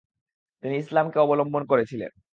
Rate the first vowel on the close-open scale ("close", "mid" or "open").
close